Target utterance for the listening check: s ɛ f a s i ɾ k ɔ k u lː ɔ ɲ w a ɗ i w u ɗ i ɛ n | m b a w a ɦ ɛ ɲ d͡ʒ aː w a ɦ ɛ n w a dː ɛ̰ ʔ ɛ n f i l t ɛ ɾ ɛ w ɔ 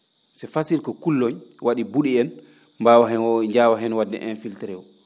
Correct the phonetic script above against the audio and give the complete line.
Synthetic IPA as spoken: s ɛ f a s i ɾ k ɔ k u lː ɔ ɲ w a ɗ i b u ɗ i ɛ n | m b a w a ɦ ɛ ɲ d͡ʒ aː w a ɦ ɛ n w a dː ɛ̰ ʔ ɛ n f i l t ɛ ɾ ɛ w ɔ